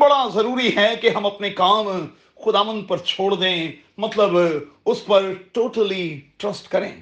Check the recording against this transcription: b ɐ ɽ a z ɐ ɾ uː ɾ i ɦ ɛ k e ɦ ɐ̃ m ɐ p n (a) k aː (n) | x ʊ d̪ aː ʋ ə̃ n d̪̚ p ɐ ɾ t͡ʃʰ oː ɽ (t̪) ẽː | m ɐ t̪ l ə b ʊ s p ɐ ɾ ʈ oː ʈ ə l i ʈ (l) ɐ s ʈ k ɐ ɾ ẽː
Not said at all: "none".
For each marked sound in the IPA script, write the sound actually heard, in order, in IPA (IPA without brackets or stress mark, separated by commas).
e, m, d̪, ɾ